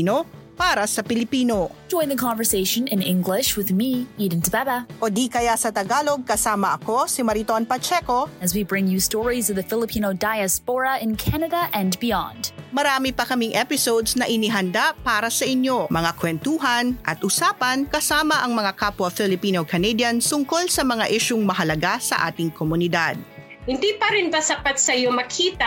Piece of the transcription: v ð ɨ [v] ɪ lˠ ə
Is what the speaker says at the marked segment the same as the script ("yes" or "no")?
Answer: no